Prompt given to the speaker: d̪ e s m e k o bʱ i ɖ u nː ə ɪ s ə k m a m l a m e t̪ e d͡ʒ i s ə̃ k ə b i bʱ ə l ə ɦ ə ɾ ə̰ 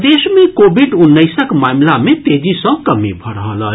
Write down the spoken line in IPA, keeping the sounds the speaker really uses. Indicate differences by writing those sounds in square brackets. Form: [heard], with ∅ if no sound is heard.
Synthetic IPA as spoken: d̪ e s m e k o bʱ i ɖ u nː ə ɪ s ə k m a m l a m e t̪ e d͡ʒ i s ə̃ k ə [m] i bʱ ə [ɾ] ə ɦ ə [l] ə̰